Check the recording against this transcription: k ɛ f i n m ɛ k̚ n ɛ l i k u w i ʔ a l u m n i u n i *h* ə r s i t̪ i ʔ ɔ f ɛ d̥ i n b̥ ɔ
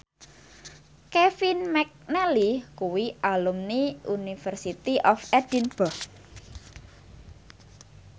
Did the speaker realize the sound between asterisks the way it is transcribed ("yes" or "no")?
no